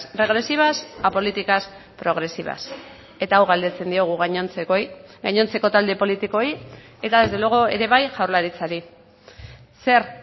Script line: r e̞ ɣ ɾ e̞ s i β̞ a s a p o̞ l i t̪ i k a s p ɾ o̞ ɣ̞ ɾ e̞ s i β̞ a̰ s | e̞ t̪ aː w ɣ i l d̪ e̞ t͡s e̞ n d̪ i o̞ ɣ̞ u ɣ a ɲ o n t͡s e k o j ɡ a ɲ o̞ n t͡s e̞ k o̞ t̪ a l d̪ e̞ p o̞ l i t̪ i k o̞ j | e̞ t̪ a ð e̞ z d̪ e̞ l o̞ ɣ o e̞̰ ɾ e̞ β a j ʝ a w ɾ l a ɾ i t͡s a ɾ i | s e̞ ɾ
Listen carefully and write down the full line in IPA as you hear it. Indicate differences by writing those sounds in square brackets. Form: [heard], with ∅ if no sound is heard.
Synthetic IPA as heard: r e̞ ɣ ɾ e̞ s i β̞ a s a p o̞ l i t̪ i k a s p ɾ o̞ ɣ̞ ɾ e̞ s i β̞ a̰ s | e̞ t̪ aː w ɣ [a] l d̪ e̞ t͡s e̞ n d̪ i o̞ ɣ̞ u ɣ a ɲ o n t͡s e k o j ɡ a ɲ o̞ n t͡s e̞ k o̞ t̪ a l d̪ e̞ p o̞ l i t̪ i k o̞ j | e̞ t̪ a ð e̞ z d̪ e̞ l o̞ ɣ o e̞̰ ɾ e̞ β a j ʝ a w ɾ l a ɾ i t͡s a ɾ i | s e̞ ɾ